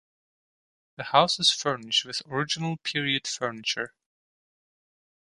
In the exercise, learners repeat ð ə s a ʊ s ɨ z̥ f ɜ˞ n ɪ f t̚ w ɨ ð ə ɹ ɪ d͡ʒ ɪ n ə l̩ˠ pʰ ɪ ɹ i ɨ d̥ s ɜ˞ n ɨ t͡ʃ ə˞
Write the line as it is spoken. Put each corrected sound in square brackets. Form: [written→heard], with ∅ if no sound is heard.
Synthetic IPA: ð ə [s→h] a ʊ s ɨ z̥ f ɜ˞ n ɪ [f→ʃ] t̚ w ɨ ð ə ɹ ɪ d͡ʒ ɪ n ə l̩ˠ pʰ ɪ ɹ i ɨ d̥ [s→f] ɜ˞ n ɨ t͡ʃ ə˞